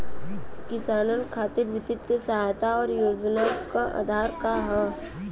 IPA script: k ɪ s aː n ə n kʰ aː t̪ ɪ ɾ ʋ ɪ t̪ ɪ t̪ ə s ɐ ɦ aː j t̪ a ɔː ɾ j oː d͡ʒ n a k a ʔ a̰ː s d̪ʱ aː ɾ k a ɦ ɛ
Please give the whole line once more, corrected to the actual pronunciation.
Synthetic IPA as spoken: k ɪ s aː n ə n kʰ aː t̪ ɪ ɾ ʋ ɪ t̪ ɪ t̪ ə s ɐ ɦ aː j t̪ a ɔː ɾ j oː d͡ʒ n a k a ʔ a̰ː d̪ʱ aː ɾ k a ɦ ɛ

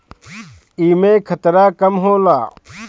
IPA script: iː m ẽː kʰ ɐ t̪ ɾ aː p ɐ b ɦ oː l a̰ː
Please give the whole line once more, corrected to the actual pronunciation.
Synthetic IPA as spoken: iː m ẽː kʰ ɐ t̪ ɾ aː k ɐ m ɦ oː l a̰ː

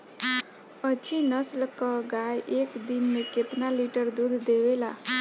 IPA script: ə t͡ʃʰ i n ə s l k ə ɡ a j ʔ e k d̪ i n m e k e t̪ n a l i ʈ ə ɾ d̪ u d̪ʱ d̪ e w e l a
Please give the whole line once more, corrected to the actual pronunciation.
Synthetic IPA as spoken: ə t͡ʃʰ i n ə s l k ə ɡ a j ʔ e k d̪ i n m e k e t̪ n a l i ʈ ə ɾ d̪ u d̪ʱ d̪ e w e l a

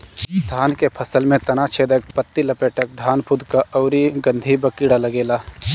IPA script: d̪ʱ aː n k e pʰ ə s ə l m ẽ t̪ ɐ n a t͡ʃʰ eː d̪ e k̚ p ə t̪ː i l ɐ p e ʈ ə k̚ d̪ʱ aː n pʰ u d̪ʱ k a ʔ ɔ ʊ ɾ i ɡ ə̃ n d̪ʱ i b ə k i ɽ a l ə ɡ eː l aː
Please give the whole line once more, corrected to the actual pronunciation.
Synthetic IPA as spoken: d̪ʱ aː n k e pʰ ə s ə l m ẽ t̪ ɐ n a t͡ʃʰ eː d̪ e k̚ p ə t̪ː i l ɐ p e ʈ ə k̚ d̪ʱ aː n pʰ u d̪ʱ k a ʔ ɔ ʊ ɾ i ɡ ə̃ n d̪ʱ i b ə k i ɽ a l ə ɡ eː l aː

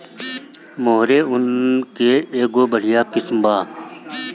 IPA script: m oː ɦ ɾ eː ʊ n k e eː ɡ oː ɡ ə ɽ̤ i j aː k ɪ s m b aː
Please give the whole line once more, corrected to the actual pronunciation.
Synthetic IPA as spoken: m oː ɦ ɾ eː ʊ n k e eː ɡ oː b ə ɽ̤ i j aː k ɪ s m b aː

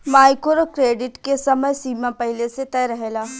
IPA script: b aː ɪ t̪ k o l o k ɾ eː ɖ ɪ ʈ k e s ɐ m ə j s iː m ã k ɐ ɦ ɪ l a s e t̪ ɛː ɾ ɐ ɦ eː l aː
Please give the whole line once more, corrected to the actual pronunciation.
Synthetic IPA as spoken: m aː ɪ k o ɾ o k ɾ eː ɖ ɪ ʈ k e s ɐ m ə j s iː m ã p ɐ ɦ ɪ l e s e t̪ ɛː ɾ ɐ ɦ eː l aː

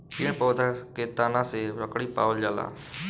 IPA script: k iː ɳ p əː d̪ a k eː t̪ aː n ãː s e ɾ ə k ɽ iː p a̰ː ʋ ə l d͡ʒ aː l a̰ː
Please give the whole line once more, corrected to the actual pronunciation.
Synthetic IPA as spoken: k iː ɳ p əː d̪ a k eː t̪ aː n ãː s e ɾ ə k ɽ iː p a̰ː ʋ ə l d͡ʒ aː l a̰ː

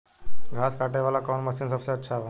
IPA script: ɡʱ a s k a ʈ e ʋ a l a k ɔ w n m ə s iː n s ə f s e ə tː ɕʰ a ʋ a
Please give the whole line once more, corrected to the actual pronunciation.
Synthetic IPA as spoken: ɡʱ a s k a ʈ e ʋ a l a k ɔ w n m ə s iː n s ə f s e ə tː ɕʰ a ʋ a

